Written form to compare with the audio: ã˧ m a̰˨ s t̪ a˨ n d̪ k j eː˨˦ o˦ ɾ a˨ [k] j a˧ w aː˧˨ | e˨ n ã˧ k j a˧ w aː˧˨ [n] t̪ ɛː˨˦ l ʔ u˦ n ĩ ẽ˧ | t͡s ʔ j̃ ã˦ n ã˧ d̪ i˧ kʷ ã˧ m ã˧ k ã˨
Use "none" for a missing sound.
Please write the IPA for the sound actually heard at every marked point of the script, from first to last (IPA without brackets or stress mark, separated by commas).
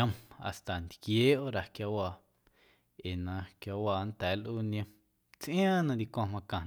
k, n